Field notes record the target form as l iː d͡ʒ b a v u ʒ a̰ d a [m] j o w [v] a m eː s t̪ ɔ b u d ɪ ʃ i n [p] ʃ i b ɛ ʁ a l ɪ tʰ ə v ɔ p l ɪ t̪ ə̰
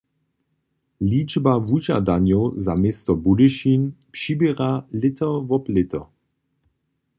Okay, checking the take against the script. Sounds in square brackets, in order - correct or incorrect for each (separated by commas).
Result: incorrect, incorrect, correct